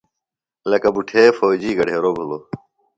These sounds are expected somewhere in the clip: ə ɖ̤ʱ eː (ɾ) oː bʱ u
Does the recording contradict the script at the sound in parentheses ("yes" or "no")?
no